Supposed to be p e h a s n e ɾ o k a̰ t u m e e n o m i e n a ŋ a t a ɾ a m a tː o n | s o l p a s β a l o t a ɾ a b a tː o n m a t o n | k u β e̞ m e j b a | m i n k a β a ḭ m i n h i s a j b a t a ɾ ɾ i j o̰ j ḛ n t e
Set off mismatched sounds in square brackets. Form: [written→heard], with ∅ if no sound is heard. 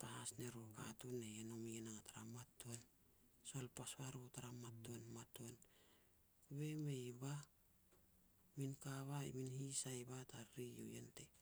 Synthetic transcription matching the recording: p [e→a] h a s n e ɾ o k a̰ t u [m→n] e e n o m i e n a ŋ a t a ɾ a m a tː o n | s o l p a s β a [l→ɾ] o t a ɾ a [b→m] a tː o n m a t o n | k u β e̞ m e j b a | m i n k a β a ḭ m i n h i s a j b a t a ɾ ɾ i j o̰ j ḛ n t e